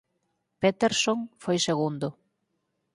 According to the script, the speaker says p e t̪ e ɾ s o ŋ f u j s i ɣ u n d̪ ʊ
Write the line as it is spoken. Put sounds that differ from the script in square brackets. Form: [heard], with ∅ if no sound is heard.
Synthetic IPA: p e t̪ e ɾ s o ŋ f [o] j s [e] ɣ u n d̪ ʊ

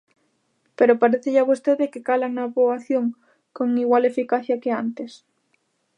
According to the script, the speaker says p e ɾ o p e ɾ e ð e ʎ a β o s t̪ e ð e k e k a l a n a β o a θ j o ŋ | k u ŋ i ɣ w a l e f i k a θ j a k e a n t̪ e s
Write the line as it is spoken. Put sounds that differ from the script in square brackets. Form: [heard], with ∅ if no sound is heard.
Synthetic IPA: p e ɾ o p [a] ɾ e [θ] e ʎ a β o s t̪ e ð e k e k a l a n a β o a θ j o ŋ | k [o] ŋ i ɣ w a l e f i k a θ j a k e a n t̪ e s

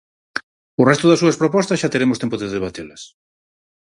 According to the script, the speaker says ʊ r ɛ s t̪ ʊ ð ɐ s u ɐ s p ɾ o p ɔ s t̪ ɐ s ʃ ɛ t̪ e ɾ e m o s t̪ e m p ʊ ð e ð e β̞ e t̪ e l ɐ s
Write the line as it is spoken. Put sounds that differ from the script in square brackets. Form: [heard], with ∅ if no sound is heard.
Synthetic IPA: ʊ r ɛ s t̪ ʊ ð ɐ s u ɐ s p ɾ o p ɔ s t̪ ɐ s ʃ [a] t̪ e ɾ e m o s t̪ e m p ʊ ð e ð e β̞ [a] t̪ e l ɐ s

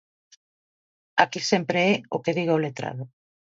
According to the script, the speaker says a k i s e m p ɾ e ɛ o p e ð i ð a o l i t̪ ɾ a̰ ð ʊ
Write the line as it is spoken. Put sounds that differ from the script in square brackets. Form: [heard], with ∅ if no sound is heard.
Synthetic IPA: a k i s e m p ɾ e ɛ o [k] e ð i [ɣ] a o l [e] t̪ ɾ a̰ ð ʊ

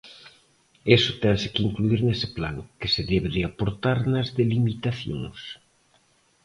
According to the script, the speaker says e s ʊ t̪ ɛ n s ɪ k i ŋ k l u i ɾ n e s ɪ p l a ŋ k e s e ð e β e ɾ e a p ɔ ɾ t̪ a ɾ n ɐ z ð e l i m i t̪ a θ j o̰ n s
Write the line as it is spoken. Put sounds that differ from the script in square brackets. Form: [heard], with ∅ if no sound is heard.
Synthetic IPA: e s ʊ t̪ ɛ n s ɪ k i ŋ k l u i ɾ n e s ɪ p l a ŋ k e s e ð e β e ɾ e a p [o] ɾ t̪ a ɾ n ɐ z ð e l i m i t̪ a θ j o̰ [ŋ] s

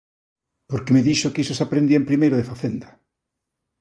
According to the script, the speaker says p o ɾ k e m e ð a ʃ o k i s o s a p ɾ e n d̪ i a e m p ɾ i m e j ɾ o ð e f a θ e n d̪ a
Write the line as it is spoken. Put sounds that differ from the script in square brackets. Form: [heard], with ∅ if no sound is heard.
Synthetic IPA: p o ɾ k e m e ð [i] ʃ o k i s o s a p ɾ e n d̪ i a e m p ɾ i m e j ɾ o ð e f a θ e n d̪ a

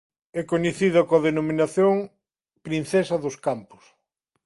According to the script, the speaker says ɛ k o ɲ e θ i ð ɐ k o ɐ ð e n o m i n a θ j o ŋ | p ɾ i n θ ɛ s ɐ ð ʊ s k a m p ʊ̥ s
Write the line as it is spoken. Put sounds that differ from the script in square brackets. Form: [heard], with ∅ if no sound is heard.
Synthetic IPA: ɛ k o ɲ e θ i ð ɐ k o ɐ ð e n o m i n a θ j o ŋ | p ɾ i n θ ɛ s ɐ ð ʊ s k a m p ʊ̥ s

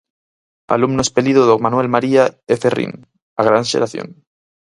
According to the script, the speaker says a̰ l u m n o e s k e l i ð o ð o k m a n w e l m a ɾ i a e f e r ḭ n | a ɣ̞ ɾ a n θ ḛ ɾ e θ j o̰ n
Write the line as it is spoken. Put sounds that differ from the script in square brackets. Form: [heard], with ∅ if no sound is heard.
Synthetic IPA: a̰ l u m n o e s [p] e l i ð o ð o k m a n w e l m a ɾ i a e f e r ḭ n | a ɣ̞ ɾ a n [ʃ] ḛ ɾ [a] θ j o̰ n

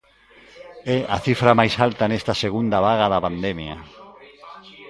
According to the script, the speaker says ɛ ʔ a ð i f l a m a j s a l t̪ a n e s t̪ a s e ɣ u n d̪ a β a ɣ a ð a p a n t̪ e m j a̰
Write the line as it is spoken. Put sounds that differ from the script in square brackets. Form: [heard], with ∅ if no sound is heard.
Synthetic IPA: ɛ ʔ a [θ] i f [ɾ] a m a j s a l t̪ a n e s t̪ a s e ɣ u n d̪ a β a ɣ a ð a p a n [d̪] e m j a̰

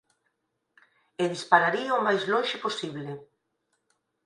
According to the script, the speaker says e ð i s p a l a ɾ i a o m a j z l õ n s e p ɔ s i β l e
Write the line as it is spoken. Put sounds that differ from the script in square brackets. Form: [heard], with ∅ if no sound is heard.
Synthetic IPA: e ð i s p a [ɾ] a ɾ i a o m a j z l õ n [ʃ] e p [o] s i β l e

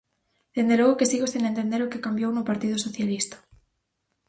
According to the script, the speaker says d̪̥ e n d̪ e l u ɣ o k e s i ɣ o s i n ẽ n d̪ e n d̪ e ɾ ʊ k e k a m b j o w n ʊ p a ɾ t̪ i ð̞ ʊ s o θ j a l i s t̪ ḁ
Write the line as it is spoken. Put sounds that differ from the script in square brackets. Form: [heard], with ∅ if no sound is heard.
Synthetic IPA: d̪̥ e n d̪ e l [o] ɣ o k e s i ɣ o s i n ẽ n [t̪] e n d̪ e ɾ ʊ k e k a m b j o w n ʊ p a ɾ t̪ i ð̞ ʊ s o θ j a l i s t̪ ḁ

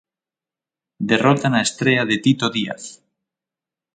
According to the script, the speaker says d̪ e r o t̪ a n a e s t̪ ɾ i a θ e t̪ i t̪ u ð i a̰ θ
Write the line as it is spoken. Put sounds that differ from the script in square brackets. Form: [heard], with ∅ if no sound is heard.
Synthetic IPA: d̪ e r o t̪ a n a e s t̪ ɾ [e] a [ð] e t̪ i t̪ [o] ð i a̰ θ

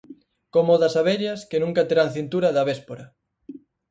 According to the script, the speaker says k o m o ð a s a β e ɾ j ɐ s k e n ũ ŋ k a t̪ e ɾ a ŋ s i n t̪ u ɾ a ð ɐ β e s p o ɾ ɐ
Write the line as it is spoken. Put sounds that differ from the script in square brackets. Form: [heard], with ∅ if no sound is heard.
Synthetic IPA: k o m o ð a s a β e ɾ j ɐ s k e n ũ ŋ k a t̪ e ɾ a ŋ [θ] i n t̪ u ɾ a ð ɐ β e s p o ɾ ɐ

